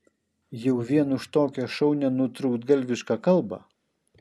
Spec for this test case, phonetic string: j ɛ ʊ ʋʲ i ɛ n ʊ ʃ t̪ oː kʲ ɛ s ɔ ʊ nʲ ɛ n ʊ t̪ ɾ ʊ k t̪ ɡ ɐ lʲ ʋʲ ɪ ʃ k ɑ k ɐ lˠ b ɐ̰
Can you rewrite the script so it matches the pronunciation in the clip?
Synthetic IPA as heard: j ɛ ʊ ʋʲ i ɛ n ʊ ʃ t̪ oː kʲ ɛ ʃ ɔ ʊ nʲ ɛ n ʊ t̪ ɾ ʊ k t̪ ɡ ɐ lʲ ʋʲ ɪ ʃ k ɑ k ɐ lˠ b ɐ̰